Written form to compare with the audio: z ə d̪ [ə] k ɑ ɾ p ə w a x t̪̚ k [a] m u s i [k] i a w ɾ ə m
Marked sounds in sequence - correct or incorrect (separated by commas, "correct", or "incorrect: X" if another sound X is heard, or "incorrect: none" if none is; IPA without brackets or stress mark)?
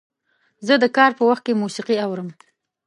correct, incorrect: e, incorrect: q